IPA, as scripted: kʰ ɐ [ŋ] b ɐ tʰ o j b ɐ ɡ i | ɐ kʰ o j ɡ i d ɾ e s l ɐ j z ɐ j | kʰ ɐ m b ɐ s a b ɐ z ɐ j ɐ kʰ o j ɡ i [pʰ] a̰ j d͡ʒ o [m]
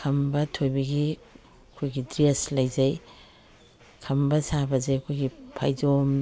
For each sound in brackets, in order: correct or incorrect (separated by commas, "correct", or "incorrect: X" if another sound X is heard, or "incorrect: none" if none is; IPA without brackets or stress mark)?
incorrect: m, correct, correct